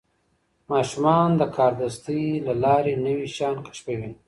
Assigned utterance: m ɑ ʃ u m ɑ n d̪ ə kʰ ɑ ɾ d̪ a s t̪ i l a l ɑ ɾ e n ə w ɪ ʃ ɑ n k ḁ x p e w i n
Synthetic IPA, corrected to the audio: m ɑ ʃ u m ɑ n d̪ ə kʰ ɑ ɾ d̪ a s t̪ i l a l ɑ ɾ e n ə w i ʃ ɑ n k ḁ ʃ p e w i n